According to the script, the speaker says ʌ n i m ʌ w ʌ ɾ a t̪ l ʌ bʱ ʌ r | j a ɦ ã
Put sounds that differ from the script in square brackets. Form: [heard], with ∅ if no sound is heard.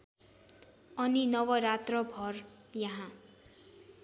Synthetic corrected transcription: ʌ n i [n] ʌ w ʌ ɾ a t̪ [r] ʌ bʱ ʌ r | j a ɦ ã